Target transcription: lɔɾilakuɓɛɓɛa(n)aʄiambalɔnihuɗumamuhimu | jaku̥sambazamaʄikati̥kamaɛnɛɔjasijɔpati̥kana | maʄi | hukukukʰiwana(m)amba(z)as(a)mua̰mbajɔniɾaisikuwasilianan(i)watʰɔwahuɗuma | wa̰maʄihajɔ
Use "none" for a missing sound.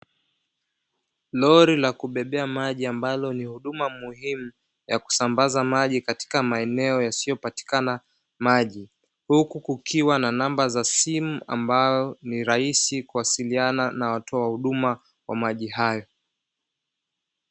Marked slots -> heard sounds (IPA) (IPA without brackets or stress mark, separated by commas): m, n, z, i, a